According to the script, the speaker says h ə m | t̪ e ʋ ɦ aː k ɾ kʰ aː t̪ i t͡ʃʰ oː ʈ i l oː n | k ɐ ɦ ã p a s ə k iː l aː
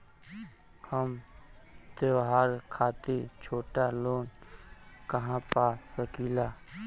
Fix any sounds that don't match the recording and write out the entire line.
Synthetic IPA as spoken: h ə m | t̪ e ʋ ɦ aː ɾ kʰ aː t̪ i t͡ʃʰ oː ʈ a l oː n | k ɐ ɦ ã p a s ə k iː l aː